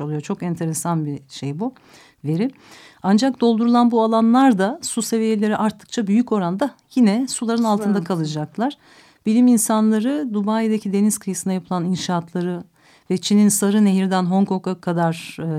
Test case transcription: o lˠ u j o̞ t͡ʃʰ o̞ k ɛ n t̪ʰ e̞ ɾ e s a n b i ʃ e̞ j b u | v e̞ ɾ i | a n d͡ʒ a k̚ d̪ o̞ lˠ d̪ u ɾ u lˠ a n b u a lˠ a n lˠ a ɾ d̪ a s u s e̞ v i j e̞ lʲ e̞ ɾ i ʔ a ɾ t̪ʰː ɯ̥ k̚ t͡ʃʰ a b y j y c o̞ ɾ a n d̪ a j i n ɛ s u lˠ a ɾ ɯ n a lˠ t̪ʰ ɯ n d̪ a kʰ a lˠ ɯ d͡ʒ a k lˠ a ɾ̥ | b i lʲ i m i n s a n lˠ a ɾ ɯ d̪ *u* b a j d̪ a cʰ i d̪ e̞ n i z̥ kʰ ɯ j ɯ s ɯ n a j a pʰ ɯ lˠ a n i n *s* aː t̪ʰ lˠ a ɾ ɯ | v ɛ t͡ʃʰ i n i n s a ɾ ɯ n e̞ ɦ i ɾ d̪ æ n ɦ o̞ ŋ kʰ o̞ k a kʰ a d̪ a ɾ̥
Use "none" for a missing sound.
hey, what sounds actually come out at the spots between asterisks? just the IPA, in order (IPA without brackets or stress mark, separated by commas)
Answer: u, ʃ